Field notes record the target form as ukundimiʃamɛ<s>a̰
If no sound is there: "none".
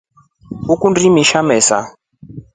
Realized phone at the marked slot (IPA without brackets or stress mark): s